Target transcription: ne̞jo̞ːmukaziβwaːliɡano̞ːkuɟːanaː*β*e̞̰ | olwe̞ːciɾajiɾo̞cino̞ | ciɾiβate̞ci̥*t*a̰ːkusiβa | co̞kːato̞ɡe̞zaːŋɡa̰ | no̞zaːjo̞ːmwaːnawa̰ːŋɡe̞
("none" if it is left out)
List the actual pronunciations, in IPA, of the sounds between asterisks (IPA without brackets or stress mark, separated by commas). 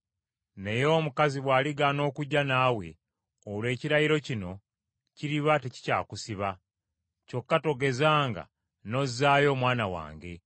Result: w, c